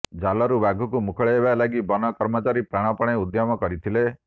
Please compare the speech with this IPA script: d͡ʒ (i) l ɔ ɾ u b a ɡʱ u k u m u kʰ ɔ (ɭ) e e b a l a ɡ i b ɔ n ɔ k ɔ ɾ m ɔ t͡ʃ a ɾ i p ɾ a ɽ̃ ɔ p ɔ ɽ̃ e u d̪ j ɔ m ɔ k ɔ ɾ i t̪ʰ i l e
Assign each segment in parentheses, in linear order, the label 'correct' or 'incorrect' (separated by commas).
incorrect, correct